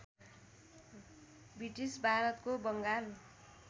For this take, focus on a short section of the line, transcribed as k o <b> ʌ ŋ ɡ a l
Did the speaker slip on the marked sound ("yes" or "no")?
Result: no